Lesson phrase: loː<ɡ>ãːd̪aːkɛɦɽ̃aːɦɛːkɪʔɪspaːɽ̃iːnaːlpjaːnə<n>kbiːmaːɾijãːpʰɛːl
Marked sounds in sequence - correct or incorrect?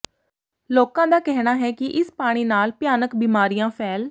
incorrect, incorrect

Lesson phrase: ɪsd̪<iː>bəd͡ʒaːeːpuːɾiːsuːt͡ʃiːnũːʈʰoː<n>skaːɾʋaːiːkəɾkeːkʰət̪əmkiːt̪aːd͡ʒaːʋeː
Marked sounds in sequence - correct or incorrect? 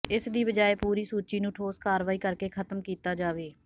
correct, incorrect

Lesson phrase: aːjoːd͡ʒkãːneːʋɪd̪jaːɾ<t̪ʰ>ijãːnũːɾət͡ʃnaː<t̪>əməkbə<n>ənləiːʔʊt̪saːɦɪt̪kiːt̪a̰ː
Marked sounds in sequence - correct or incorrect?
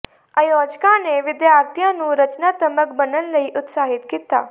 incorrect, correct, correct

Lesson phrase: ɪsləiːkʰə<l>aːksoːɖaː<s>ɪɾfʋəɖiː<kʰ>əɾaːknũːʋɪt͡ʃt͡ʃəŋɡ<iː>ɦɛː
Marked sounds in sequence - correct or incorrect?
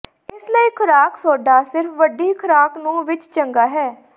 incorrect, correct, correct, incorrect

